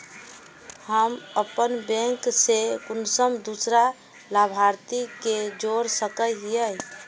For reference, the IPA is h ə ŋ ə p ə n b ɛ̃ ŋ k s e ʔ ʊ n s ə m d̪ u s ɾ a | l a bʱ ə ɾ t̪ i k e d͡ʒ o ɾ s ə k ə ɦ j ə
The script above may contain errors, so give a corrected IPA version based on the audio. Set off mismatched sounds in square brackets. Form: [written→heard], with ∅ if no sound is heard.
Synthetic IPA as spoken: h ə [ŋ→m] ə p ə n b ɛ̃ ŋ k s e [ʔ→k] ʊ n s ə m d̪ u s ɾ a | l a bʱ [ə→a] ɾ t̪ i k e d͡ʒ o ɾ s ə k ə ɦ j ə

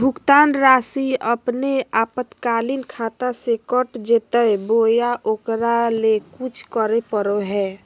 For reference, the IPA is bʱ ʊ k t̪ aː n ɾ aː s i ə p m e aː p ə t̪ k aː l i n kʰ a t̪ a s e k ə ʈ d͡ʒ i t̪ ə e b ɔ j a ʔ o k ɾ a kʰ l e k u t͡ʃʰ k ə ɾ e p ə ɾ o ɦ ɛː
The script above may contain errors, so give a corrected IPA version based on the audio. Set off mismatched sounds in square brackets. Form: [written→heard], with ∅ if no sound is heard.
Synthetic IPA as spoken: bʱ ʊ k t̪ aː n ɾ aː s i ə p [m→n] e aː p ə t̪ k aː l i n kʰ a t̪ a s e k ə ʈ d͡ʒ [i→e] t̪ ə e b [ɔ→o] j a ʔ o k ɾ a [kʰ→∅] l e k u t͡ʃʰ k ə ɾ e p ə ɾ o ɦ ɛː

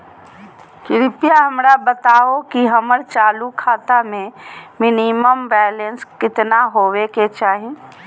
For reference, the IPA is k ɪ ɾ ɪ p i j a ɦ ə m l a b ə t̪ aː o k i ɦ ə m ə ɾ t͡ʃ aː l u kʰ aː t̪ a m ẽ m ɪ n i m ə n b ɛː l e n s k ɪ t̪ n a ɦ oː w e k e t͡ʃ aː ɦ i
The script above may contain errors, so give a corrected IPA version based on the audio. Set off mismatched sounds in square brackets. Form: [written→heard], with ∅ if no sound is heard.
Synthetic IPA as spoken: k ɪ ɾ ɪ p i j a ɦ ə m [l→ɾ] a b ə t̪ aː o k i ɦ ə m ə ɾ t͡ʃ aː l u kʰ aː t̪ a m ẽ m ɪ n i m ə [n→m] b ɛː l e n s k ɪ t̪ n a ɦ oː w e k e t͡ʃ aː ɦ i

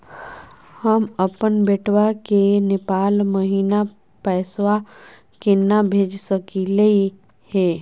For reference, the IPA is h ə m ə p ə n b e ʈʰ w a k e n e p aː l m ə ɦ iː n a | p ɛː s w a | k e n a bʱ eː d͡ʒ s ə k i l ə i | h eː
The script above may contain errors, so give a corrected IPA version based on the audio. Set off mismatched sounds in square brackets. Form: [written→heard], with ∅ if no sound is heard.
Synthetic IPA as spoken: h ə m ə p ə n b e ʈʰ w a k e n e p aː l m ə ɦ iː n a | p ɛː s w a | k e n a bʱ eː d͡ʒ s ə k i l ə i | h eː

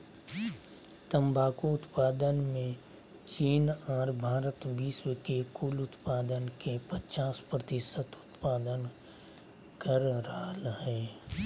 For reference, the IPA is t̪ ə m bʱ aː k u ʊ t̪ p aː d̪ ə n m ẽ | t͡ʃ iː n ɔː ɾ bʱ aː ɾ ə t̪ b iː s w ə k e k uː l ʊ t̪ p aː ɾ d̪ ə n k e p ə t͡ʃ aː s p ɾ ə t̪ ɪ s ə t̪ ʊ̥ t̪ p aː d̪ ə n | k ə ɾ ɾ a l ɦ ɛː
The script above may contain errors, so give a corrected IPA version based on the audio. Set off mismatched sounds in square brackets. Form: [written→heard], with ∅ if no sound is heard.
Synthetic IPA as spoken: t̪ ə m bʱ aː k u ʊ t̪ p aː d̪ ə n m ẽ | t͡ʃ iː n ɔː ɾ bʱ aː ɾ ə t̪ b iː s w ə k e k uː l ʊ t̪ p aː [ɾ→∅] d̪ ə n k e p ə t͡ʃ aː s p ɾ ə t̪ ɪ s ə t̪ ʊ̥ t̪ p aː d̪ ə n | k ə ɾ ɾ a l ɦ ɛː

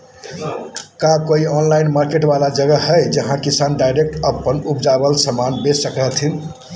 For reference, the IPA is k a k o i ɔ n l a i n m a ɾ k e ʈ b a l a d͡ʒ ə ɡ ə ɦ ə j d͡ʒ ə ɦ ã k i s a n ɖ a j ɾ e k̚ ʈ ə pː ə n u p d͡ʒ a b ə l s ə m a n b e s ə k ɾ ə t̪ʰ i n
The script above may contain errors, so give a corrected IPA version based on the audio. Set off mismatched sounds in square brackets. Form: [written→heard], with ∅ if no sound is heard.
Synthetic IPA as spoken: k a k o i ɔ n l a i n m a ɾ k e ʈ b a l a d͡ʒ ə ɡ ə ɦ ə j d͡ʒ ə ɦ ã k i s a n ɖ a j ɾ e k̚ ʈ ə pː ə n u p d͡ʒ a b ə l s ə m a n b e s ə k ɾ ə t̪ʰ i n

